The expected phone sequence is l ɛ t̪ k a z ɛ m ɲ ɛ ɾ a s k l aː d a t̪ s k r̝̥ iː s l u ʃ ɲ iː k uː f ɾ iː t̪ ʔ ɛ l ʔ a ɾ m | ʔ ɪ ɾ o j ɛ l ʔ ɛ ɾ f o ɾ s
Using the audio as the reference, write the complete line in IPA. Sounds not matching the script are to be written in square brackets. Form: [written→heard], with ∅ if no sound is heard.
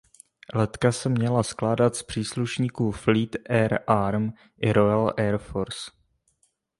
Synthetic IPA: l ɛ t̪ k a [z→s] ɛ m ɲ ɛ [ɾ→l] a s k l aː d a t̪ s [k→p] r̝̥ iː s l u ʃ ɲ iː k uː f [ɾ→l] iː t̪ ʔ ɛ [l→ɾ] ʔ a ɾ m | ʔ ɪ ɾ o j [ɛ→a] l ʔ ɛ ɾ f o ɾ s